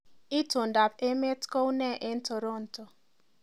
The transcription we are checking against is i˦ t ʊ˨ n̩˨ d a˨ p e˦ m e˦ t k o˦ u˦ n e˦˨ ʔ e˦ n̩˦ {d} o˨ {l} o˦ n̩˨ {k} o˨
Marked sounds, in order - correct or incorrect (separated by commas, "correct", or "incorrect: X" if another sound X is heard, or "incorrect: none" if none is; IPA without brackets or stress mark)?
incorrect: t, incorrect: ɾ, incorrect: t